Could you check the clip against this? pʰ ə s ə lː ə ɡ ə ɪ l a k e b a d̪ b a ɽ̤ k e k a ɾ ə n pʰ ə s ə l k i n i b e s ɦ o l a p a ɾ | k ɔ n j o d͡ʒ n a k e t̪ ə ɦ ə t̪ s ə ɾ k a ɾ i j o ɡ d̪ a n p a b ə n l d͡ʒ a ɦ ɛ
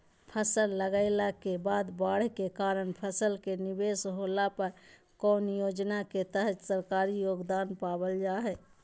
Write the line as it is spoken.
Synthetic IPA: pʰ ə s ə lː ə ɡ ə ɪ l a k e b a d̪ b a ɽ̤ k e k a ɾ ə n pʰ ə s ə l k e n i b e s ɦ o l a p ə ɾ | k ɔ n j o d͡ʒ n a k e t̪ ə ɦ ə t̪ s ə ɾ k a ɾ i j o ɡ d̪ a n p a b ə l d͡ʒ a ɦ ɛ